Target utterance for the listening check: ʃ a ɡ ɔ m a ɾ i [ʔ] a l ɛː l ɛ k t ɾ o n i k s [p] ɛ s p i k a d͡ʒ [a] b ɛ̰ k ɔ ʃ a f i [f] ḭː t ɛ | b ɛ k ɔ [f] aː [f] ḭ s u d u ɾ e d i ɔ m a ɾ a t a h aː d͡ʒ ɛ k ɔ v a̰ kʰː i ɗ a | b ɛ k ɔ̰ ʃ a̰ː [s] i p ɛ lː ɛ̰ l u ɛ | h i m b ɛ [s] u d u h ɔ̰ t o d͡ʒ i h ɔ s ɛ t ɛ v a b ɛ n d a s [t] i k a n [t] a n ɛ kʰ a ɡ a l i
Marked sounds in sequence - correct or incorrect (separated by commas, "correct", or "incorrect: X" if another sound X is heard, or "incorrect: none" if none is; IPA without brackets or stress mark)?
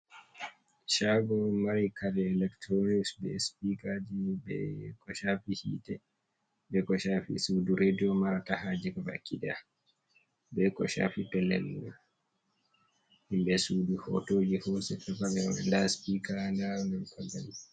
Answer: incorrect: k, incorrect: b, incorrect: i, incorrect: h, incorrect: ʃ, correct, incorrect: f, correct, incorrect: p, incorrect: d